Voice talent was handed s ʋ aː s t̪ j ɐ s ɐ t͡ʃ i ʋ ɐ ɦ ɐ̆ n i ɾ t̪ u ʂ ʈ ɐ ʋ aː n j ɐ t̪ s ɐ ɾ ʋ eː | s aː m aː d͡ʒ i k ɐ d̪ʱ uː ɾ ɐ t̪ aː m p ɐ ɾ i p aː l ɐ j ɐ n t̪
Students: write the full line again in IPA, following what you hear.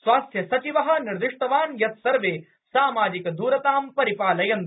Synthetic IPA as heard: s ʋ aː s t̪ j ɐ s ɐ t͡ʃ i ʋ ɐ ɦ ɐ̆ n i ɾ d̪ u ʂ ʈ ɐ ʋ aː n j ɐ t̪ s ɐ ɾ ʋ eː | s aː m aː d͡ʒ i k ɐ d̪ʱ uː ɾ ɐ t̪ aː m p ɐ ɾ i p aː l ɐ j ɐ n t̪